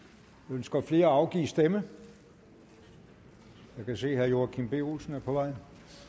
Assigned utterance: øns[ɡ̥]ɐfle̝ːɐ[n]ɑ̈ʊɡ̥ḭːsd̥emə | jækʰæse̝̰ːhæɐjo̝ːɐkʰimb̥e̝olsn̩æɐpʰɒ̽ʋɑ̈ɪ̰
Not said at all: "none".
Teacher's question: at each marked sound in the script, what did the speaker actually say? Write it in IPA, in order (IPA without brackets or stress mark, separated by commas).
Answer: ɡ̥, none